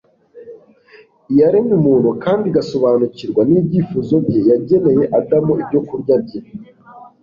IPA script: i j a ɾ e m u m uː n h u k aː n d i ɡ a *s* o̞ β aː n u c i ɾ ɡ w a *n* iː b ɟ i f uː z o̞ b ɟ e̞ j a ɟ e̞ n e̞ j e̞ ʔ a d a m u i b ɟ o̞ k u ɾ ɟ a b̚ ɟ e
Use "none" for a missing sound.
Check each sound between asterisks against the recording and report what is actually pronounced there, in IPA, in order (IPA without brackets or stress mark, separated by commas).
s, n